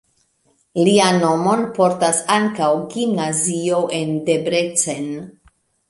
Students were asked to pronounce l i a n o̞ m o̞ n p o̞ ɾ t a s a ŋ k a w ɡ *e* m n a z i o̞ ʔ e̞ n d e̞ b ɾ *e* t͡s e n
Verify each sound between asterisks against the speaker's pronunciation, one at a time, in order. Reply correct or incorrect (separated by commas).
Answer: incorrect, correct